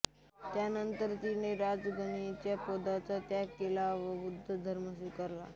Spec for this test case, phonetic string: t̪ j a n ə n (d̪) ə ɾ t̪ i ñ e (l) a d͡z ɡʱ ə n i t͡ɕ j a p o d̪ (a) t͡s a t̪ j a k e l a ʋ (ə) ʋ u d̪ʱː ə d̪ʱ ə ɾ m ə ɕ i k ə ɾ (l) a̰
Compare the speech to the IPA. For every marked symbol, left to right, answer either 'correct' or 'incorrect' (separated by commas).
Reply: incorrect, incorrect, correct, correct, correct